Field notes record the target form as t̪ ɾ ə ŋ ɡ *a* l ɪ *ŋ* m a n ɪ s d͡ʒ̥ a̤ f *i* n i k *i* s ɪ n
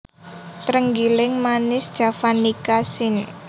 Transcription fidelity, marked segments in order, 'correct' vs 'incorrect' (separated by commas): incorrect, correct, incorrect, incorrect